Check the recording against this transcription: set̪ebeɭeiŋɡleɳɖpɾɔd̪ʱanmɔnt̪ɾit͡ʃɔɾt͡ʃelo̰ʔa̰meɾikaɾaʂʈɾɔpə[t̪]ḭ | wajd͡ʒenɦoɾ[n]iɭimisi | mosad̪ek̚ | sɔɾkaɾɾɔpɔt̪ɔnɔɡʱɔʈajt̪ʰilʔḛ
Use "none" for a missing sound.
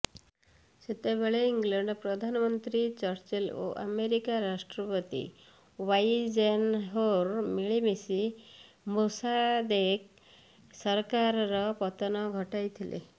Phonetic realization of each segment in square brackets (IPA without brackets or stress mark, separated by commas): t̪, m